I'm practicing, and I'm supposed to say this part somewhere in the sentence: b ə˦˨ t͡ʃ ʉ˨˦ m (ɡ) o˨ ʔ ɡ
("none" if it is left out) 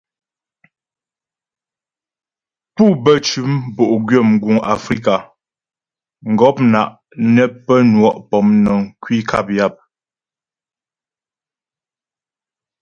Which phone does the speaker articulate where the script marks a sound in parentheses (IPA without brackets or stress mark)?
b